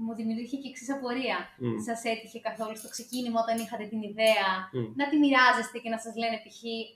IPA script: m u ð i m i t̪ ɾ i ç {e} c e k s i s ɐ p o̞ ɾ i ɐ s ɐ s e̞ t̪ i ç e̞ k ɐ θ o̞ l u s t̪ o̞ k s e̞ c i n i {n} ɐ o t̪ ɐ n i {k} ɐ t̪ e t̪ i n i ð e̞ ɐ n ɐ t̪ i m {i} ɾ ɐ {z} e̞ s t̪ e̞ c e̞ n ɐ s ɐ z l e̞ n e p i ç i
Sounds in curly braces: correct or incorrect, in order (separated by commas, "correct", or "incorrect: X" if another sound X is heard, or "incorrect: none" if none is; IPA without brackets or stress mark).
correct, incorrect: m, incorrect: x, correct, correct